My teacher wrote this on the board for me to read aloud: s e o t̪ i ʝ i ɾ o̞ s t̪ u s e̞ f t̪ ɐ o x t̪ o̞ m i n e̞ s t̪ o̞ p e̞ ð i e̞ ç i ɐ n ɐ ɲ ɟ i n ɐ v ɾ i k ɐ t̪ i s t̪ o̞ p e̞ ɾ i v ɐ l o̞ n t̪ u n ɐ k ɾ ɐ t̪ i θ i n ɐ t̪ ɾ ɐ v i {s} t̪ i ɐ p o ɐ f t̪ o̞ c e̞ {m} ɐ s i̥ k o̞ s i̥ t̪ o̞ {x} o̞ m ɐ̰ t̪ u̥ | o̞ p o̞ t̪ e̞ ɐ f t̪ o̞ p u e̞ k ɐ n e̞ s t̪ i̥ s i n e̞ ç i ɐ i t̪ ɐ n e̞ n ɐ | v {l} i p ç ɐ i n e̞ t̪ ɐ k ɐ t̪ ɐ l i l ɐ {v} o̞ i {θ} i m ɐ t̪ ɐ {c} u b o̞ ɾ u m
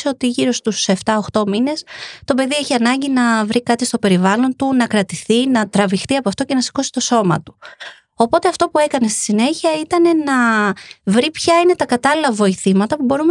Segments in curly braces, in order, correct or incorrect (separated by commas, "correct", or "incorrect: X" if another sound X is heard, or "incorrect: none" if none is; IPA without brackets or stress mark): incorrect: x, incorrect: n, incorrect: s, incorrect: ɾ, correct, correct, incorrect: p